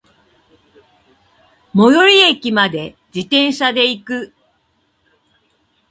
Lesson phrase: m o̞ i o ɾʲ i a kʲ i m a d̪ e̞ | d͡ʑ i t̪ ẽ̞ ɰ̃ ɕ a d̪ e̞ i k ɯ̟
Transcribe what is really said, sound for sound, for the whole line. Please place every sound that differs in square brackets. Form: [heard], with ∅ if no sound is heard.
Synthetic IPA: m o̞ [j] o ɾʲ i [e] kʲ i m a d̪ e̞ | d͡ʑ i t̪ ẽ̞ ɰ̃ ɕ a d̪ e̞ i k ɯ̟